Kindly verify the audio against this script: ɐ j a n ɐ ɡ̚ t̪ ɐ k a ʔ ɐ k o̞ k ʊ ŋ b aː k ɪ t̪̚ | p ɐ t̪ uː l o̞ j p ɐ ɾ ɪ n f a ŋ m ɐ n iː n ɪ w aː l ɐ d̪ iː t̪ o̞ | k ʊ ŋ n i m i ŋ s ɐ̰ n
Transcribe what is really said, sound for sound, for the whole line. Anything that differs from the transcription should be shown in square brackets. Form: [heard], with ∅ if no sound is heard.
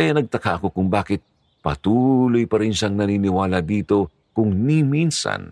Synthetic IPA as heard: ɐ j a n ɐ ɡ̚ t̪ ɐ k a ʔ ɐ k o̞ k ʊ ŋ b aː k ɪ t̪̚ | p ɐ t̪ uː l o̞ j p ɐ ɾ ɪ n [ʃ] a ŋ [n] ɐ n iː n ɪ w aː l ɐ d̪ iː t̪ o̞ | k ʊ ŋ n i m i [n] s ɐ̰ n